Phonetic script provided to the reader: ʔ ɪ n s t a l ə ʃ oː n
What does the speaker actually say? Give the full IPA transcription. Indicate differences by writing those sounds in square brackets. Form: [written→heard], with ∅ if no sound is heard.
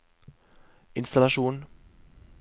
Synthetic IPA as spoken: ʔ ɪ n s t a l [ə→a] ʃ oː n